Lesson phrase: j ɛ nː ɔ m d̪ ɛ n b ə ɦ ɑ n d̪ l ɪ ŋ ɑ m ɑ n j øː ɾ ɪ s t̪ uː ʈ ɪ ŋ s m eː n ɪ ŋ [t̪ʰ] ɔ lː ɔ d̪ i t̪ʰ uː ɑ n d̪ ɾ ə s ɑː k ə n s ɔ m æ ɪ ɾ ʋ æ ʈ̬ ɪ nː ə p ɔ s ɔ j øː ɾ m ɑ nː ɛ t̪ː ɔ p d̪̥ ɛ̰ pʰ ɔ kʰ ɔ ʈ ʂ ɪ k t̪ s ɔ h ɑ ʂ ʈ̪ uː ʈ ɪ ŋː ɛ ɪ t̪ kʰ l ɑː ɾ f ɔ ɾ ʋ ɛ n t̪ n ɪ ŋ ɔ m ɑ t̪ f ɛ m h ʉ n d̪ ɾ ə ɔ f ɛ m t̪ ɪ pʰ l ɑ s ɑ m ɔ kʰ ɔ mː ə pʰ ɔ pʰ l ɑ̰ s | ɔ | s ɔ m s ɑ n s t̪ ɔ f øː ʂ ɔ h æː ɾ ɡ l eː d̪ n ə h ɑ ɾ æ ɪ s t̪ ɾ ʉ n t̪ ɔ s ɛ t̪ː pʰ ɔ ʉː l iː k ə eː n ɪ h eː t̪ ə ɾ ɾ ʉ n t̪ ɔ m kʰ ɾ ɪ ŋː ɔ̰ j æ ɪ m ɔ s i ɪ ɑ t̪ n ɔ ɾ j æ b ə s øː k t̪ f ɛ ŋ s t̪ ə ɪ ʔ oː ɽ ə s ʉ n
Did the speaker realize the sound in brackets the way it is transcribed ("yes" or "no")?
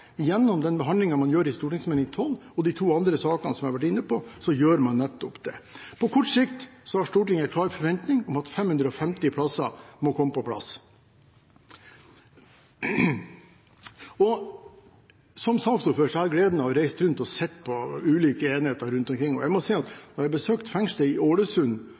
yes